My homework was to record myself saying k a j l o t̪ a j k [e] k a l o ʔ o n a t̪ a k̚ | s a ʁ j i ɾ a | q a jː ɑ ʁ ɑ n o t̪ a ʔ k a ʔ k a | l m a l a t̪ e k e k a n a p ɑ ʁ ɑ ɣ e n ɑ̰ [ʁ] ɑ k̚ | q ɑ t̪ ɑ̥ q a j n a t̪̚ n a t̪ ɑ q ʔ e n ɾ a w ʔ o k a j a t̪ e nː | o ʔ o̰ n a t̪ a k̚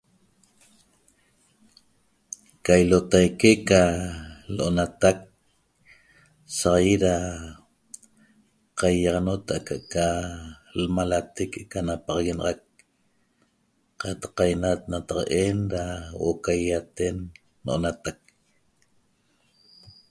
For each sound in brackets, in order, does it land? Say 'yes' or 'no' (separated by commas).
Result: yes, yes